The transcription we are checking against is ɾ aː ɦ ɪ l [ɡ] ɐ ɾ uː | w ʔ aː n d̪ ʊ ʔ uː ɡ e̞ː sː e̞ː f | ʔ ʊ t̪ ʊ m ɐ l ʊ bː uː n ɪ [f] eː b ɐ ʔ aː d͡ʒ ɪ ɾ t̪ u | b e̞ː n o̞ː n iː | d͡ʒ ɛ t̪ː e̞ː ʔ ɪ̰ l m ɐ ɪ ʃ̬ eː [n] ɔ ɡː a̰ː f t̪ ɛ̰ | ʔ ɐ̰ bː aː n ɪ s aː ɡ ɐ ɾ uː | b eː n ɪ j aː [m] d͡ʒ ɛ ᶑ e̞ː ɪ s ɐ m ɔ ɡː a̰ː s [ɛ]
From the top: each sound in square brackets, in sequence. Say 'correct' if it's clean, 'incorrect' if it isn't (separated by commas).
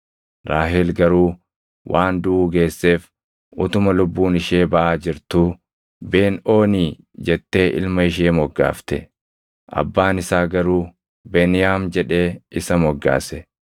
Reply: correct, incorrect, incorrect, correct, correct